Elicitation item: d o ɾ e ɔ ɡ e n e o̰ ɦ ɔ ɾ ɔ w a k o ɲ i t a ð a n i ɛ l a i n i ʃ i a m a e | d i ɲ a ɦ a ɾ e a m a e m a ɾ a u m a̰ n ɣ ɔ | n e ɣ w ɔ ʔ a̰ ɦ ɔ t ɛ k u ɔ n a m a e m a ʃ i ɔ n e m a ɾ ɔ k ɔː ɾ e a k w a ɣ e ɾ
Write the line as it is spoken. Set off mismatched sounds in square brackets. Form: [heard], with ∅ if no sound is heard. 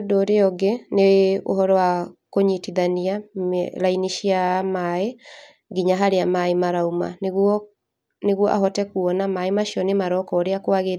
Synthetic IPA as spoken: d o ɾ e ɔ ɡ e n e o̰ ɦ ɔ ɾ ɔ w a k o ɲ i t [i] ð a n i [a] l a i n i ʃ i a m a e | [ɡ] i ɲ a ɦ a ɾ e a m a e m a ɾ a u m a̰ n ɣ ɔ | n e ɣ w ɔ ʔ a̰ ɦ ɔ t ɛ k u ɔ n a m a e m a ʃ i ɔ n e m a ɾ ɔ k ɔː ɾ e a k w a ɣ e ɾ